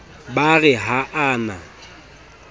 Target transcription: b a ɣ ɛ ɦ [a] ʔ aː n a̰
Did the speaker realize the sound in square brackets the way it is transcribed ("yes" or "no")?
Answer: yes